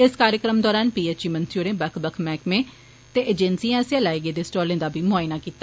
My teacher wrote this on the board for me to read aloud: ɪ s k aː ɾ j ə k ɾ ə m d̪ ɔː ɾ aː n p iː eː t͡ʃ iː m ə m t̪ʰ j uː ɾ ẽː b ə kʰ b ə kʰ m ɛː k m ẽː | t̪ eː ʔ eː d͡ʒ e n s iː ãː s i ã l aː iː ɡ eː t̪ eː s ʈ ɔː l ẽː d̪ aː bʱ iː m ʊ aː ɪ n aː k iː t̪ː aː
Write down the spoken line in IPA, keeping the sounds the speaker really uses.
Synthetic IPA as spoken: ɪ s k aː ɾ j ə k ɾ ə m d̪ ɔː ɾ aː n p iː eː t͡ʃ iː m ə n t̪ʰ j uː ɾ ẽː b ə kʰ b ə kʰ m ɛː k m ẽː | t̪ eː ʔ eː d͡ʒ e n s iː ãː s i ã l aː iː ɡ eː d̪ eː s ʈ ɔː l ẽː d̪ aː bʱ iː m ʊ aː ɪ n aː k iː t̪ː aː